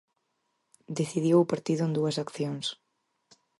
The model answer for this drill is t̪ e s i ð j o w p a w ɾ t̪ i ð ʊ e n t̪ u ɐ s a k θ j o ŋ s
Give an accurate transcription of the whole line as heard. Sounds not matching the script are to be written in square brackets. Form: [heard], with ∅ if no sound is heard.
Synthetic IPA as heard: [d̪] e [θ] i ð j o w p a [∅] ɾ t̪ i ð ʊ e n [d̪] u ɐ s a k θ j o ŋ s